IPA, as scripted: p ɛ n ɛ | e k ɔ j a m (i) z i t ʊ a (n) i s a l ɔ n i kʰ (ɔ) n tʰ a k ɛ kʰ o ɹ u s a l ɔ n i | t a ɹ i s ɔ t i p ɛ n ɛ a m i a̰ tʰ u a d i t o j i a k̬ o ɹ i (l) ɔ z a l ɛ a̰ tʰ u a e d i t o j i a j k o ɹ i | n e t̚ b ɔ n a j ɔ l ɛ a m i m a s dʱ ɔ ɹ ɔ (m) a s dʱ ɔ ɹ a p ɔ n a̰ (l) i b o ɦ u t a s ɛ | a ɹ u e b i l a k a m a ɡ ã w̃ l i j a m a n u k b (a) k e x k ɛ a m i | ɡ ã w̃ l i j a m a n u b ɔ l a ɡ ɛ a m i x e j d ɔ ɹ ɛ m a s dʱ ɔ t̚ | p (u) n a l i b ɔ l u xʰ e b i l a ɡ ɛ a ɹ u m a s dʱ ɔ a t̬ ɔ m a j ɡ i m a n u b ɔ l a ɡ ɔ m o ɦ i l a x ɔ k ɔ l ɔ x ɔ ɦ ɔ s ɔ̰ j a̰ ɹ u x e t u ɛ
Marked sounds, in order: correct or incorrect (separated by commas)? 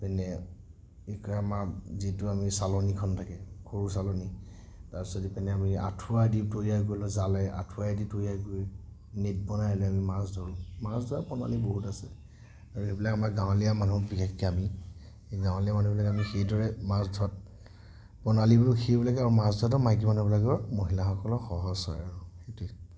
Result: incorrect, incorrect, correct, correct, correct, correct, incorrect, incorrect